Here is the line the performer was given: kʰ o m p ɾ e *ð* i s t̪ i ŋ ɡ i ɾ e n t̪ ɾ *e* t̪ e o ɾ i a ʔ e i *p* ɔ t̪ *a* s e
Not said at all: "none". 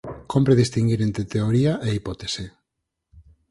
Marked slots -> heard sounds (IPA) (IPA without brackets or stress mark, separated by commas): ð, e, p, e